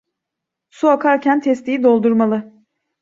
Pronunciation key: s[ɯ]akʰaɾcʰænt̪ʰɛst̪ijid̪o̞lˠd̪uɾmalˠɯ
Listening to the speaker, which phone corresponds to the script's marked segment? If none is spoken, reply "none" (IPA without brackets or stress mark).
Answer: u